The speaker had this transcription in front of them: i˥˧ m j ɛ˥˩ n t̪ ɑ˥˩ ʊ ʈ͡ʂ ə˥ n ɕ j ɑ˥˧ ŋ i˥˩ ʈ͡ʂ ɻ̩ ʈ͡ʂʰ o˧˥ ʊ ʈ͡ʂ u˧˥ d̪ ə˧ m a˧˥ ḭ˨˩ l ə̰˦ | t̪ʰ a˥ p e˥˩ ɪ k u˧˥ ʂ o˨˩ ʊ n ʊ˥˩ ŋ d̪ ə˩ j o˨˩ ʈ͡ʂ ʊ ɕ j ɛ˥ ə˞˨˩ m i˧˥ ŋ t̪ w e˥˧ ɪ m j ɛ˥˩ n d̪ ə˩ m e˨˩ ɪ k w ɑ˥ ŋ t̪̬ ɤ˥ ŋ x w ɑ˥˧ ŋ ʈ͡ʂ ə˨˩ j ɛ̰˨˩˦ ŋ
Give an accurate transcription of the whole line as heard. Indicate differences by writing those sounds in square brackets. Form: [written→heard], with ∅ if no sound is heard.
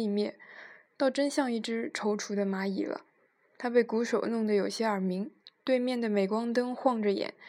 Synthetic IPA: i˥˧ m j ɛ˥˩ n t̪ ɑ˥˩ ʊ ʈ͡ʂ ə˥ n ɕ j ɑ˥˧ ŋ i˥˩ ʈ͡ʂ ɻ̩ ʈ͡ʂʰ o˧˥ ʊ [ʈ͡ʂ→ʈ͡ʂʰ] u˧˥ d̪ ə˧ m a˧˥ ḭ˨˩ l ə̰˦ | t̪ʰ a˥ p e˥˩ ɪ k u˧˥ ʂ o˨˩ ʊ n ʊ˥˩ ŋ d̪ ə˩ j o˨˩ [ʈ͡ʂ→∅] ʊ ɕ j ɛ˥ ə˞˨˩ m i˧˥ ŋ t̪ w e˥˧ ɪ m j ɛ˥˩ n d̪ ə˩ m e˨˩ ɪ k w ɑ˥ ŋ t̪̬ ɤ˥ ŋ x w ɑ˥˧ ŋ ʈ͡ʂ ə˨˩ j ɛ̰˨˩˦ [ŋ→n]